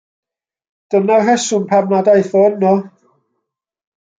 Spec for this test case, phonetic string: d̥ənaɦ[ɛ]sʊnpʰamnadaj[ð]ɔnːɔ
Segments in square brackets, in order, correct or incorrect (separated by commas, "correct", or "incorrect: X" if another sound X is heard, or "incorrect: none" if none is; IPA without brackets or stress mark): correct, incorrect: θ